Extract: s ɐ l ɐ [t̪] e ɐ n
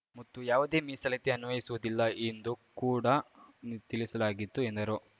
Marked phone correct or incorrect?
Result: correct